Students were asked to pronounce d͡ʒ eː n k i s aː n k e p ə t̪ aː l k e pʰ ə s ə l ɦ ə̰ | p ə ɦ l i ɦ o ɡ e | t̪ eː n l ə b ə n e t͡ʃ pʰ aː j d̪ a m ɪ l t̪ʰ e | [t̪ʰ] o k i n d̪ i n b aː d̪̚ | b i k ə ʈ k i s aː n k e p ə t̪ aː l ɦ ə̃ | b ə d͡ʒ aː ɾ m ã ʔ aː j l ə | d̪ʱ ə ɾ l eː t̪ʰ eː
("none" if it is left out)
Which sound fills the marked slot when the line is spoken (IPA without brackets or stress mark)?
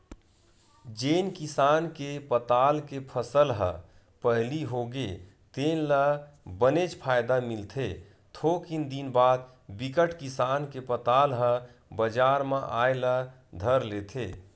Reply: t̪ʰ